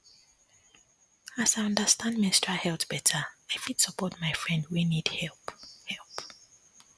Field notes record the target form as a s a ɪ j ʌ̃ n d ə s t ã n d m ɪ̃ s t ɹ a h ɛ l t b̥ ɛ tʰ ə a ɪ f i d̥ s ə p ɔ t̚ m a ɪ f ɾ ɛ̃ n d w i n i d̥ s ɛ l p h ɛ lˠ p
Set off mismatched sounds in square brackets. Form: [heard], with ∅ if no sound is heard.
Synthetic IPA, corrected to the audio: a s a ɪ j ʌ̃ n d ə s t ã n d m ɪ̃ s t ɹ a h ɛ l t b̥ ɛ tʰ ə a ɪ f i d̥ s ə p ɔ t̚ m a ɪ f [ɹ] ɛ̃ n d w i n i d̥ [h] ɛ l p h ɛ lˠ p